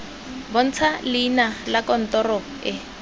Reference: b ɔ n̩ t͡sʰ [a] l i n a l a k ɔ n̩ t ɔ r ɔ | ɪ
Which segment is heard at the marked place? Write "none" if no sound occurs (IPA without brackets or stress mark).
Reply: a